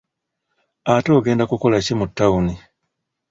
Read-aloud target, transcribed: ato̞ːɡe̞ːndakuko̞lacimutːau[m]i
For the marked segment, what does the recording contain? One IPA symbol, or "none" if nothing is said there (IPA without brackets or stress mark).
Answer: n